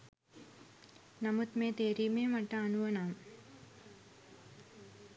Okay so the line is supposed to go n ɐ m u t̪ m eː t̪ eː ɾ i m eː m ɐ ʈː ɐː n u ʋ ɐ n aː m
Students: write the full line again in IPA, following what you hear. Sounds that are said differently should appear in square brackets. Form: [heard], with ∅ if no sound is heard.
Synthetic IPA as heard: n ɐ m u t̪ m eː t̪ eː ɾ i m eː m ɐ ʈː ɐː n u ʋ ɐ n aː m

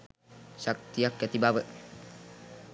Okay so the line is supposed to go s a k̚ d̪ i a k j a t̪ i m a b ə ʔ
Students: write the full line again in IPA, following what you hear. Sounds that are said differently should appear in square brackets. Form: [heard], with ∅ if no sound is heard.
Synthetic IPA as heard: s a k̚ [t̪] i a k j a t̪ i [b] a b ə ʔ

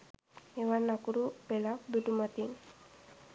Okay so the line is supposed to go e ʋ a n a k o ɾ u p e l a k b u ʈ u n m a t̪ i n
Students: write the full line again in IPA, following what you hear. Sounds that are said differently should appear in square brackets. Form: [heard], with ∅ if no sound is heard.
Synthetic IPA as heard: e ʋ a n a k [u] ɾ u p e l a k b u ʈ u [∅] m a t̪ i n

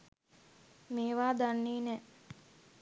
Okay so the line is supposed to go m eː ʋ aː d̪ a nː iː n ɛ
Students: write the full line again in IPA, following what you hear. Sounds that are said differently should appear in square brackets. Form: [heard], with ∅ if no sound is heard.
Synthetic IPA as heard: m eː ʋ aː d̪ a nː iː n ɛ

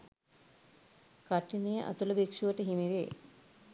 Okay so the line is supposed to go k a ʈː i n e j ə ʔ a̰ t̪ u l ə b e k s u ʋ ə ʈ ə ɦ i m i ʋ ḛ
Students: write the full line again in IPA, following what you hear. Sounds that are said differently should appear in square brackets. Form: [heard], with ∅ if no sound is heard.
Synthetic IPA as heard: k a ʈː i n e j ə ʔ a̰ t̪ u l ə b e k [ʂ] u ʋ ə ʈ ə ɦ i m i ʋ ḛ

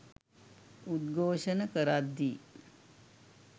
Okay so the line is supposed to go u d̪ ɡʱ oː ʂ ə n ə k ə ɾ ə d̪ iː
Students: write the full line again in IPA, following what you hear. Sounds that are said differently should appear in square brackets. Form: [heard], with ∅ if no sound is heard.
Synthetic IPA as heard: u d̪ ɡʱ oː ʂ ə n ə k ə ɾ [a] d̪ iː

